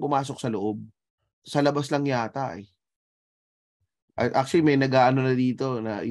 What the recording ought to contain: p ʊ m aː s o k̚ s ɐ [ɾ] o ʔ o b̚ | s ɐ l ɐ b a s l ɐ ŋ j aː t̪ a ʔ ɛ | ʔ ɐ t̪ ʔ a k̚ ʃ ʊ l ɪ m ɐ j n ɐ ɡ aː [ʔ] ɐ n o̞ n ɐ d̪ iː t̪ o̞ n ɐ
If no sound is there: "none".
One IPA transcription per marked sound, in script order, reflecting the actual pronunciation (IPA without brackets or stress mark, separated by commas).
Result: l, ʔ